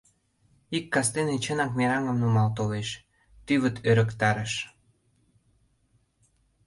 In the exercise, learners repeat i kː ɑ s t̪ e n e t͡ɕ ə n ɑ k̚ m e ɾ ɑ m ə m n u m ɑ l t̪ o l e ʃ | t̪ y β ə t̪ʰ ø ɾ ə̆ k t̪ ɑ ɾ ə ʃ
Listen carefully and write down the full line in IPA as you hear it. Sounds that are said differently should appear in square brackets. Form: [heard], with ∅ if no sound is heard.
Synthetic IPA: i kː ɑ s t̪ e n e t͡ɕ ə n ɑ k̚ m e ɾ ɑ [ŋ] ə m n u m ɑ l t̪ o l e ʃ | t̪ y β ə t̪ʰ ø ɾ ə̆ k t̪ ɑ ɾ ə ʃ